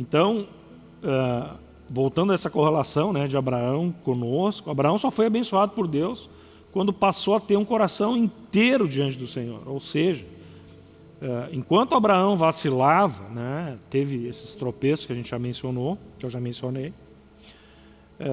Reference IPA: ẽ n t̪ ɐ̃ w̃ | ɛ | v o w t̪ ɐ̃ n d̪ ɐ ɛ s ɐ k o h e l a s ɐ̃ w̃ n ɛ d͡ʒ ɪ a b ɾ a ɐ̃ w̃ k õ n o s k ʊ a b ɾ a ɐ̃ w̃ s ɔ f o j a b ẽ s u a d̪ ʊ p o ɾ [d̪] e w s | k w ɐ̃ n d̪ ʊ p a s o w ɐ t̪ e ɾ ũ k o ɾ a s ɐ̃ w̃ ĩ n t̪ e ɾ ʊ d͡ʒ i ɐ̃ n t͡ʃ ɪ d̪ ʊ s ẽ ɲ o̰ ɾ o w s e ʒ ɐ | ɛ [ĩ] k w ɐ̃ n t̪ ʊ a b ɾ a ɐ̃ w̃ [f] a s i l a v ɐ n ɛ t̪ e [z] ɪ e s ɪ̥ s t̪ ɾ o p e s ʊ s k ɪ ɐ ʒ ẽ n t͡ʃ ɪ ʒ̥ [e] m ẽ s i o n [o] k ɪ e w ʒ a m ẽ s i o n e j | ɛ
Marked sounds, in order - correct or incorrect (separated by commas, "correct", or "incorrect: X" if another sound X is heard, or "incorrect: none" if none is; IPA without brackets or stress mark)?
correct, incorrect: ẽ, incorrect: v, incorrect: v, incorrect: a, correct